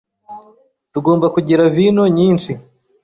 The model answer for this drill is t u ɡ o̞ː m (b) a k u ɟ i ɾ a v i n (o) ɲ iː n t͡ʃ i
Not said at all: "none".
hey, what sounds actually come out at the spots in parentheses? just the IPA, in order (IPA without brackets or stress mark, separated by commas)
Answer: b, o